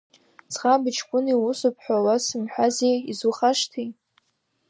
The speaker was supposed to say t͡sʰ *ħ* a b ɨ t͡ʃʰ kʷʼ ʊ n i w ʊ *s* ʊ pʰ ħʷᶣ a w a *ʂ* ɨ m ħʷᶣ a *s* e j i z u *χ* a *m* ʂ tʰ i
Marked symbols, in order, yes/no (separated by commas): no, yes, no, no, yes, no